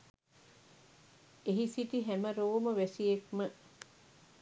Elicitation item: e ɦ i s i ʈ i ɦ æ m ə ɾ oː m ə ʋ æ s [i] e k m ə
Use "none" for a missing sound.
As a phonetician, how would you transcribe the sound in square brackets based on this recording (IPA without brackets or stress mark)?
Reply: i